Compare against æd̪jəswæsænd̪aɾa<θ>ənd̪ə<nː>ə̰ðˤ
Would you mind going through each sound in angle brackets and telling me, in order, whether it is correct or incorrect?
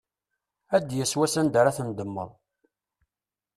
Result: correct, incorrect: mː

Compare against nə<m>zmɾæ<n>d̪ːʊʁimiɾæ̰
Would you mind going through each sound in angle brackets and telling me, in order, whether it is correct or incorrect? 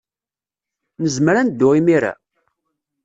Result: incorrect: none, correct

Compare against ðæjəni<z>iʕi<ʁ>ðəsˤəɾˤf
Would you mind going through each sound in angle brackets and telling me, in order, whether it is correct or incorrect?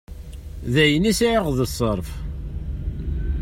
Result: incorrect: s, correct

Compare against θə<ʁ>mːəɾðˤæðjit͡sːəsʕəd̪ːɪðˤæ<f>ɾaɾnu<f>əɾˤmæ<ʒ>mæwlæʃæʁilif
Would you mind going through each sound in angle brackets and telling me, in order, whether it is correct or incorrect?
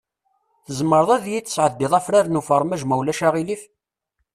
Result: incorrect: z, correct, correct, correct

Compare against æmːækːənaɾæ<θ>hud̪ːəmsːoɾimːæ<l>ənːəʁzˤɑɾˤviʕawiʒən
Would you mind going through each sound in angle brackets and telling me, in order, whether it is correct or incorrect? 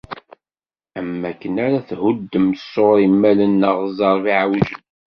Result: correct, correct

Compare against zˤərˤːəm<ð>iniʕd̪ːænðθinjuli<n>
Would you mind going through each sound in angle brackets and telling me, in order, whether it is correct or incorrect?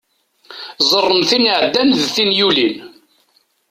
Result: incorrect: θ, correct

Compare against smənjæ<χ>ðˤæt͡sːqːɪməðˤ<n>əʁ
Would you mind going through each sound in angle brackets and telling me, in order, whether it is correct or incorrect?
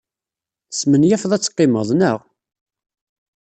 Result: incorrect: f, correct

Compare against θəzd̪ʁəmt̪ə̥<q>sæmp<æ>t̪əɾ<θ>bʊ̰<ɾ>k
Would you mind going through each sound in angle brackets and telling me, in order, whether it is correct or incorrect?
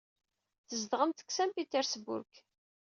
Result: incorrect: k, incorrect: i, incorrect: s, correct

